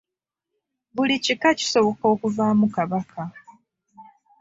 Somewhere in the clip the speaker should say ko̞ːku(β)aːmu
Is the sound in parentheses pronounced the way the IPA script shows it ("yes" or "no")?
no